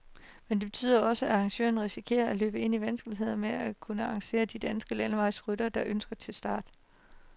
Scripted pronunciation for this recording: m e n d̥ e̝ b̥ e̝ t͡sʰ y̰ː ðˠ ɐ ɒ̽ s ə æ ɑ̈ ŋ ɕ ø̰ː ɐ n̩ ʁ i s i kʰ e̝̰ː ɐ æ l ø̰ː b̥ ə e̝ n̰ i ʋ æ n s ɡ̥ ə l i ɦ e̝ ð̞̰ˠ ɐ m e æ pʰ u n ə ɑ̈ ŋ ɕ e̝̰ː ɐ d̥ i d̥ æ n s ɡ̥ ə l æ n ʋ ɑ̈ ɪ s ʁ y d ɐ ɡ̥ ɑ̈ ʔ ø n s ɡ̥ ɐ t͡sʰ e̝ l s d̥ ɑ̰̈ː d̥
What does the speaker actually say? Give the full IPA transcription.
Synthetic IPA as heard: m e n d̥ e̝ b̥ e̝ t͡sʰ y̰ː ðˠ ɐ ɒ̽ s ə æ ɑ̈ ŋ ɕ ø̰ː ɐ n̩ ʁ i s i kʰ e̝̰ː ɐ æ l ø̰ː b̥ ə e̝ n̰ i ʋ æ n s ɡ̥ ə l i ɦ e̝ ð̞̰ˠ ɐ m e æ kʰ u n ə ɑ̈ ŋ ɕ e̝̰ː ɐ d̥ i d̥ æ n s ɡ̥ ə l æ n ʋ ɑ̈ ɪ s ʁ y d ɐ d̥ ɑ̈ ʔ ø n s ɡ̥ ɐ t͡sʰ e̝ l s d̥ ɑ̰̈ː d̥